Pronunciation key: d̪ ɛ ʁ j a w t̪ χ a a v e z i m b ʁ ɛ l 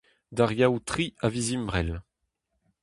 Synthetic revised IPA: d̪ a ʁ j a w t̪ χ i a v i z i m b ʁ ɛ l